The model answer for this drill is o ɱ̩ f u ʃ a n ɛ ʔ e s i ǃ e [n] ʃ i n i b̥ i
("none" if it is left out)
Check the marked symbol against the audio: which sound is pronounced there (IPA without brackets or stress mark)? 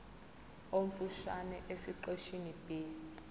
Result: none